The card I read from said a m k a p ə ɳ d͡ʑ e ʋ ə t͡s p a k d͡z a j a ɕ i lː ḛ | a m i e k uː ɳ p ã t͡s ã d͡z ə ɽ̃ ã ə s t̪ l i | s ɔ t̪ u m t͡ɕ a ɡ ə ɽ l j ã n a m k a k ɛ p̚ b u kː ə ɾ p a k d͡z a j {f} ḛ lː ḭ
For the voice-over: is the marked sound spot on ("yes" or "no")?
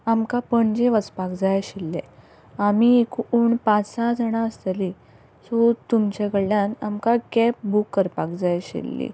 no